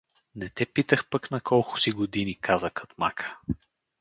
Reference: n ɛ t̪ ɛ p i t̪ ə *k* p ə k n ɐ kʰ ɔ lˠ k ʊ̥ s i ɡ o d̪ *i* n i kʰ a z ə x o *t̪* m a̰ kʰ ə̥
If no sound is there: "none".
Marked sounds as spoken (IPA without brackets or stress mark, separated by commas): x, i, t̪